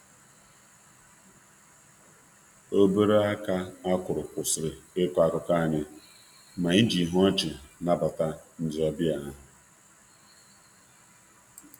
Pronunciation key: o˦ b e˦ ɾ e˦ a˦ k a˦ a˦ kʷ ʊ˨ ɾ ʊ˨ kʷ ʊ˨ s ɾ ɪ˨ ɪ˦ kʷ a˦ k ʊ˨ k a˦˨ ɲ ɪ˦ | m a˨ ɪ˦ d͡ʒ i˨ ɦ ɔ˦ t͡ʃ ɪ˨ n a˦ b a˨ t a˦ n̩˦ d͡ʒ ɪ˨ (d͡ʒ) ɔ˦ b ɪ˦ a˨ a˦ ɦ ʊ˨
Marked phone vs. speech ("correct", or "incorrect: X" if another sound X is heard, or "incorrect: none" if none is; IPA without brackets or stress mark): incorrect: none